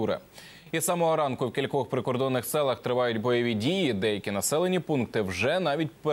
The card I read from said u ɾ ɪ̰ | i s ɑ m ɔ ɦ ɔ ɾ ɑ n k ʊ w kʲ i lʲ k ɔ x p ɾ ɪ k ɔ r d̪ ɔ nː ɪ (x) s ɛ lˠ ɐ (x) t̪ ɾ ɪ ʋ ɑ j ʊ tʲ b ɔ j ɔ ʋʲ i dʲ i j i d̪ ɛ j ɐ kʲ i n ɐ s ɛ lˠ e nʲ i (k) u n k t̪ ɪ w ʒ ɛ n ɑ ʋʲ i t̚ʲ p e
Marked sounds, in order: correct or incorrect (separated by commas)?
correct, correct, incorrect